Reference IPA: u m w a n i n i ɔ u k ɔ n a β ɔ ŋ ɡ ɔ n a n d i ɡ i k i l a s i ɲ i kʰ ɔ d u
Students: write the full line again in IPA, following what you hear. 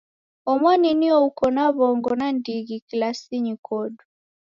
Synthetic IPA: ɔ m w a n i n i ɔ u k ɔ n a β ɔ ŋ ɡ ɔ n a n d i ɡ i k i l a s i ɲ i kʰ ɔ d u